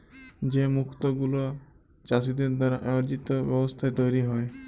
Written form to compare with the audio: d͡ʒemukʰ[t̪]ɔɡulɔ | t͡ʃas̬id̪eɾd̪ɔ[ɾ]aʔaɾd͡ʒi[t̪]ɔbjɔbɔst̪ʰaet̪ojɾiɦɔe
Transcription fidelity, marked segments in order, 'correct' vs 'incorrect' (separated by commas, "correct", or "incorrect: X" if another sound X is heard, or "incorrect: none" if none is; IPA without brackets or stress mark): correct, correct, correct